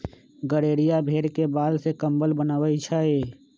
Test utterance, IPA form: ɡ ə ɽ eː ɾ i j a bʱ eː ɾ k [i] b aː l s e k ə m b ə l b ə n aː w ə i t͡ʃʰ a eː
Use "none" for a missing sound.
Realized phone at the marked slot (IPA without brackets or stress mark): e